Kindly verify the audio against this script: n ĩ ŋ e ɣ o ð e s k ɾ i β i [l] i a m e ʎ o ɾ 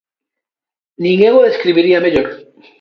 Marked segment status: incorrect: ɾ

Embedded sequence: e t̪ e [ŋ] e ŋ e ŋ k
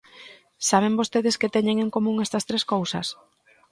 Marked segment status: incorrect: ɲ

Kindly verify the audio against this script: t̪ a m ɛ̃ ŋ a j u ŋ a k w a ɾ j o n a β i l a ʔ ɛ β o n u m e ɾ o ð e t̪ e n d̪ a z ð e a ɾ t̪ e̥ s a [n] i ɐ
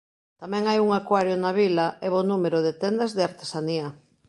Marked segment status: correct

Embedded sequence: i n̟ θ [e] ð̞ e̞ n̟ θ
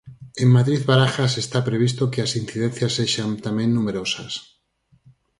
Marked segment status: incorrect: i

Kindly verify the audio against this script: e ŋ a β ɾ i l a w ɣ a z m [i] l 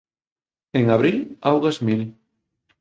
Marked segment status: correct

